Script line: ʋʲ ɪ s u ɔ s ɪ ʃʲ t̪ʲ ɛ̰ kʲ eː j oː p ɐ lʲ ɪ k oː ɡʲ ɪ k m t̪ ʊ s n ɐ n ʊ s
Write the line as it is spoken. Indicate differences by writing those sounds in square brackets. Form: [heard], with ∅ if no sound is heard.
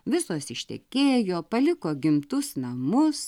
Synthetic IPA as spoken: ʋʲ ɪ s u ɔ s ɪ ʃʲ t̪ʲ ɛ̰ kʲ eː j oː p ɐ lʲ ɪ k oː ɡʲ ɪ [∅] m t̪ ʊ s n ɐ [m] ʊ s